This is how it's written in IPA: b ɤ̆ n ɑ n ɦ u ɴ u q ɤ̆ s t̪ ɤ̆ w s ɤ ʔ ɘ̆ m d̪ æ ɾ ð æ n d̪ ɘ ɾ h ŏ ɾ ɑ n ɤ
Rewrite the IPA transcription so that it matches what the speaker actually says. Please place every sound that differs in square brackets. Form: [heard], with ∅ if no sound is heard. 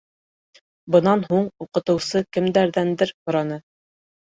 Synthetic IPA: b ɤ̆ n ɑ n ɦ u ɴ u q ɤ̆ [∅] t̪ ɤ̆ w s ɤ [k] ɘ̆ m d̪ æ ɾ ð æ n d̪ ɘ ɾ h ŏ ɾ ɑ n ɤ